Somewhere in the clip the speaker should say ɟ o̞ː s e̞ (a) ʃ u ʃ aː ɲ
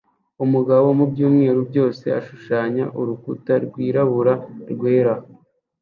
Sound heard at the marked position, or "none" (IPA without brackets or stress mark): a